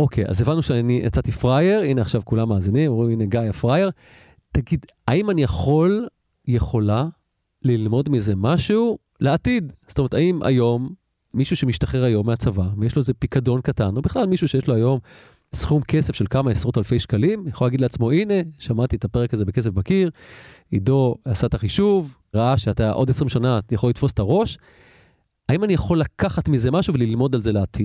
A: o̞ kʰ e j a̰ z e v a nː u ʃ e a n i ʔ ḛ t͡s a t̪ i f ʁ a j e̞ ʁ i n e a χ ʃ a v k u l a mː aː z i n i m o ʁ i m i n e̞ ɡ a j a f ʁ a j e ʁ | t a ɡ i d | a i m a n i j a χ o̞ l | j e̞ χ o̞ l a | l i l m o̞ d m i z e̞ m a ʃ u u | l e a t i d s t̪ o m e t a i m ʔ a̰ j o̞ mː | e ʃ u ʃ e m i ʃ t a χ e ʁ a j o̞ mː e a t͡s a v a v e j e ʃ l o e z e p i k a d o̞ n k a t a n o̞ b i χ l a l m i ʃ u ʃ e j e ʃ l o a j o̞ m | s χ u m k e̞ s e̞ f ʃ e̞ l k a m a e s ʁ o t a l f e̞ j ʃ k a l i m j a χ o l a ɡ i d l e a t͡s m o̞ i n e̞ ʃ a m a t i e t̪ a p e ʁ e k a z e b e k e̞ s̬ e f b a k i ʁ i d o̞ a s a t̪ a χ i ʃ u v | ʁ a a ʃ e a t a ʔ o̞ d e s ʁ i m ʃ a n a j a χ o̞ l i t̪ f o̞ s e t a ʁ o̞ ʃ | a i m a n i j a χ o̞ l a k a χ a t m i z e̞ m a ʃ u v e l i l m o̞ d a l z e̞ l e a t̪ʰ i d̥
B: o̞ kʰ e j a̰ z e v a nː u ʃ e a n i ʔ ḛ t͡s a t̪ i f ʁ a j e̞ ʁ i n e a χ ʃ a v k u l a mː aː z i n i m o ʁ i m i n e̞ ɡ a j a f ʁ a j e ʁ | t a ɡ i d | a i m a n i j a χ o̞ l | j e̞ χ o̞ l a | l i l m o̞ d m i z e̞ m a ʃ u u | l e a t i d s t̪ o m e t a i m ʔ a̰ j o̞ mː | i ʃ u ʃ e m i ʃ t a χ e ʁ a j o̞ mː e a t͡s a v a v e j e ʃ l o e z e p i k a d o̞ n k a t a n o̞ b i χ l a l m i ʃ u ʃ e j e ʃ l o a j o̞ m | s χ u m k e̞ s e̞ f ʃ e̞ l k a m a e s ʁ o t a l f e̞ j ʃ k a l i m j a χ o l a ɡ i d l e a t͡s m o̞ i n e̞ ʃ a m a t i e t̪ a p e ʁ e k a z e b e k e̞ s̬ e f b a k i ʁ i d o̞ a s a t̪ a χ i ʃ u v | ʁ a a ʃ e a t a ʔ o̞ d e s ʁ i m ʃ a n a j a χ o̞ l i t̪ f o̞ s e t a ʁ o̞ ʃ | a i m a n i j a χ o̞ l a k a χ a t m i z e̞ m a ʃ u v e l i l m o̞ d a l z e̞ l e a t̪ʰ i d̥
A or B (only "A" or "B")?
B